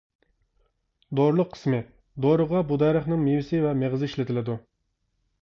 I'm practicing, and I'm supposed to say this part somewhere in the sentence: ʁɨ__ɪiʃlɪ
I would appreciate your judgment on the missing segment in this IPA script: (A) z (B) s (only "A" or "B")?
A